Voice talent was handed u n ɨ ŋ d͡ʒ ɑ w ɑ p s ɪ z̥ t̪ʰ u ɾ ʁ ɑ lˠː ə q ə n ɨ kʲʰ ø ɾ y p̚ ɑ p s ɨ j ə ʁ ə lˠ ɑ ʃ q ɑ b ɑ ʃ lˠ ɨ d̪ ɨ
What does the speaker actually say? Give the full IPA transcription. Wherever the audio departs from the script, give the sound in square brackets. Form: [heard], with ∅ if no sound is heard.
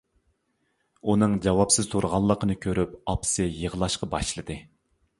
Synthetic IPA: u n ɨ ŋ d͡ʒ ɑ w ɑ p s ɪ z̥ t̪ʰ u ɾ ʁ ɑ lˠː ə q ə n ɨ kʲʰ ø ɾ y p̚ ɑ p s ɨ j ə ʁ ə lˠ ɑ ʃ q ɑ b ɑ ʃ lˠ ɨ d̪ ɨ

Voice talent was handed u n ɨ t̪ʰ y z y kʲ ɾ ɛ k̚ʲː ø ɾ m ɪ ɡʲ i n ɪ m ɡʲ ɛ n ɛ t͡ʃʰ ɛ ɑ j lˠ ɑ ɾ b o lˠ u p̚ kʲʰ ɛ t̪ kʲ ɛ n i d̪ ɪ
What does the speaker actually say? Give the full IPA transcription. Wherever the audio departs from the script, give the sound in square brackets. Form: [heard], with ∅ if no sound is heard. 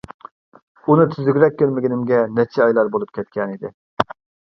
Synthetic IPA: u n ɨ t̪ʰ y z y [ɡʲ] ɾ ɛ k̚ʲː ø ɾ m ɪ ɡʲ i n ɪ m ɡʲ ɛ n ɛ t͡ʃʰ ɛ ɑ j lˠ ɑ ɾ b o lˠ u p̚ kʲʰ ɛ t̪ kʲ ɛ n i d̪ ɪ

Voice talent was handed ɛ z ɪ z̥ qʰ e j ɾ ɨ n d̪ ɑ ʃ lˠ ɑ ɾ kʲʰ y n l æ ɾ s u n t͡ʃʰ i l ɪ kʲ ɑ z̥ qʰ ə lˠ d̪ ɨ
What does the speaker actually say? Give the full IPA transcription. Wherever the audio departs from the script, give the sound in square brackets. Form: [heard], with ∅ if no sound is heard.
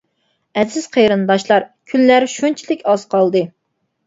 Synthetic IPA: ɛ z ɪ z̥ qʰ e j ɾ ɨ n d̪ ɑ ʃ lˠ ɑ ɾ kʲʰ y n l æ ɾ [ʃ] u n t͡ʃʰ i l ɪ kʲ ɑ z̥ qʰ [ɑ] lˠ d̪ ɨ

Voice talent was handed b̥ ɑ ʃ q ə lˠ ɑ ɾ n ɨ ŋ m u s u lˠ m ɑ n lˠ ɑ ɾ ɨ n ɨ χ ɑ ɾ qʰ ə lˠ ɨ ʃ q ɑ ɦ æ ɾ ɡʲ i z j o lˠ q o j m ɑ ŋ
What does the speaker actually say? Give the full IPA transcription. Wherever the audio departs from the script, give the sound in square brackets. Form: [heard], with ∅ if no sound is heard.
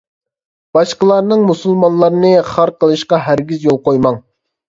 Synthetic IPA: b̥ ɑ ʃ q ə lˠ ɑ ɾ n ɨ ŋ m u s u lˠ m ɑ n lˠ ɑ ɾ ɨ n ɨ χ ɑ ɾ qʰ ə lˠ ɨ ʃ q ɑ ɦ æ ɾ ɡʲ i z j o lˠ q o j m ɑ ŋ

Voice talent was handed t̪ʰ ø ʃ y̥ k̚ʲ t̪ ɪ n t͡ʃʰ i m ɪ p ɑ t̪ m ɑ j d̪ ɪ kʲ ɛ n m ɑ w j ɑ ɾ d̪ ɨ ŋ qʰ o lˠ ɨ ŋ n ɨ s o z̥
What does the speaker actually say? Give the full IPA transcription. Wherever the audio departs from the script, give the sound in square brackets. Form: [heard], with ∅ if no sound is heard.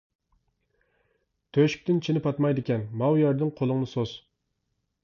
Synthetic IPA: t̪ʰ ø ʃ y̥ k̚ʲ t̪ ɪ n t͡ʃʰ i [n] ɪ p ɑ t̪ m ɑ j d̪ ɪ kʲ ɛ n m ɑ w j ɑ ɾ d̪ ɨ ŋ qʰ o lˠ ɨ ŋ n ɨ s o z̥

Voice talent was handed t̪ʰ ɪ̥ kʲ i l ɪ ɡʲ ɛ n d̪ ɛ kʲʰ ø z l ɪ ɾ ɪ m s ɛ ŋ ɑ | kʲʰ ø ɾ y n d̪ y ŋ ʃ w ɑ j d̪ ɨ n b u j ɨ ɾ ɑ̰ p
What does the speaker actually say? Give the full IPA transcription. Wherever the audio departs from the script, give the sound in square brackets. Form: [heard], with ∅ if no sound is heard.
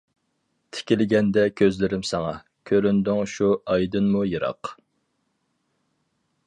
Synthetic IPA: t̪ʰ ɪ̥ kʲ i l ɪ ɡʲ ɛ n d̪ ɛ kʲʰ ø z l ɪ ɾ ɪ m s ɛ ŋ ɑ | kʲʰ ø ɾ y n d̪ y ŋ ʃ [u] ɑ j d̪ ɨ n [m] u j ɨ ɾ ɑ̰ [q]

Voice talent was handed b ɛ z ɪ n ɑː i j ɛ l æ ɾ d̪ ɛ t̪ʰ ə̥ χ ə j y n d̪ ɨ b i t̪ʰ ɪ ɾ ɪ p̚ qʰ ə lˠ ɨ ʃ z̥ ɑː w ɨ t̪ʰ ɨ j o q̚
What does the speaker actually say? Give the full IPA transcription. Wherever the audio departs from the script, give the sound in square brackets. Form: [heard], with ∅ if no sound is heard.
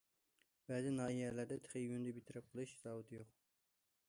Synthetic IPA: b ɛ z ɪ n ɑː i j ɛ l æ ɾ d̪ ɛ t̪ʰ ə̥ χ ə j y n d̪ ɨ b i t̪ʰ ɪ ɾ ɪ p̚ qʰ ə lˠ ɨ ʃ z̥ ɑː w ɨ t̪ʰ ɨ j o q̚

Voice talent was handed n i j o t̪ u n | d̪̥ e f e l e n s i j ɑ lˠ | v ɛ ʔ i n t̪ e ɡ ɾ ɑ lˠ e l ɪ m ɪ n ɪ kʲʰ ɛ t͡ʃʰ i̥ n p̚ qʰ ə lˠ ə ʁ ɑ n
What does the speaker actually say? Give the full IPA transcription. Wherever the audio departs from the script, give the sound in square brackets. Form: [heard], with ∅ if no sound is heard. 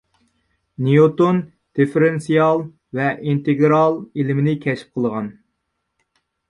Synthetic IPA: n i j o t̪ [o] n | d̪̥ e f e [ɾ] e n s i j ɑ lˠ | v ɛ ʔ i n t̪ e ɡ ɾ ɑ lˠ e l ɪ m ɪ n ɪ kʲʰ ɛ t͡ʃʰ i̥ [∅] p̚ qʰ ə lˠ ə ʁ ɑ n

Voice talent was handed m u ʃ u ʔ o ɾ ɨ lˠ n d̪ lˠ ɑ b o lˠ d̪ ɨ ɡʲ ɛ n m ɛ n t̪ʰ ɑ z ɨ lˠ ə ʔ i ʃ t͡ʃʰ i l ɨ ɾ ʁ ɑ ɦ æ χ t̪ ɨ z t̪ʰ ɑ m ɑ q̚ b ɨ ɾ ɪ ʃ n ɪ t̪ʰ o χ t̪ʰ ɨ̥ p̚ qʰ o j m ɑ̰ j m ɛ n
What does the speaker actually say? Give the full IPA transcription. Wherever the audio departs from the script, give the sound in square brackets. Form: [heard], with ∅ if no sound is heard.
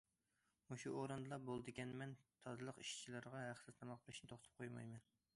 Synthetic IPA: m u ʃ u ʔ o ɾ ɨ [∅] n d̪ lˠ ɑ b o lˠ d̪ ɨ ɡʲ ɛ n m ɛ n t̪ʰ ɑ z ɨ lˠ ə [q] i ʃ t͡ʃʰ i l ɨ ɾ ʁ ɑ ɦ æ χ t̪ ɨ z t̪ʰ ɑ m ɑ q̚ b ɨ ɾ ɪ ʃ n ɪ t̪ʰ o χ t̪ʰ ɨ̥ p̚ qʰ o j m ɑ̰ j m ɛ n

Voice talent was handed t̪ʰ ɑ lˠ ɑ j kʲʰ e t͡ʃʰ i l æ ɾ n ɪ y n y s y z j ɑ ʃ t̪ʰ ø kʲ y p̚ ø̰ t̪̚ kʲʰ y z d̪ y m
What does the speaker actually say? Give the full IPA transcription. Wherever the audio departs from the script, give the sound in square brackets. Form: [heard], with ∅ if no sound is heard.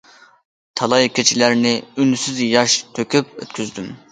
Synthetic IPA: t̪ʰ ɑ lˠ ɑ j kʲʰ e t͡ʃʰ i l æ ɾ n ɪ y n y s y z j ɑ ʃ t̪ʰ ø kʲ y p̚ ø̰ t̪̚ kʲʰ y z d̪ y m

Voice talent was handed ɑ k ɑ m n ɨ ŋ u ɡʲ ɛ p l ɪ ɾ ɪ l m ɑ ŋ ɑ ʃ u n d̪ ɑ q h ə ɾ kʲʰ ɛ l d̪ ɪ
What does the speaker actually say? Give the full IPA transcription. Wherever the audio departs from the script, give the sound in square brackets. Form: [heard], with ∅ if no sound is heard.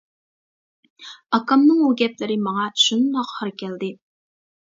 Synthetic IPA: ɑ k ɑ m n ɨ ŋ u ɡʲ ɛ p l ɪ ɾ ɪ [∅] m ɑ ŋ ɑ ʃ u n d̪ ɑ q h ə ɾ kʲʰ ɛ l d̪ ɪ

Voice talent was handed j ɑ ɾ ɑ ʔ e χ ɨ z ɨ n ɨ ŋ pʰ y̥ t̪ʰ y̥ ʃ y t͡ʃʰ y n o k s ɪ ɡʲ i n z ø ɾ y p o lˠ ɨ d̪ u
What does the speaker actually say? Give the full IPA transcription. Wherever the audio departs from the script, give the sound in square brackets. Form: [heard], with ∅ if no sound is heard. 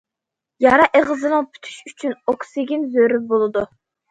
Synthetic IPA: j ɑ ɾ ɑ ʔ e [ʁ] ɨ z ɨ n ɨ ŋ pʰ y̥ t̪ʰ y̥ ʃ y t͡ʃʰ y n o k s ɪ ɡʲ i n z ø ɾ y [b] o lˠ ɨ d̪ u

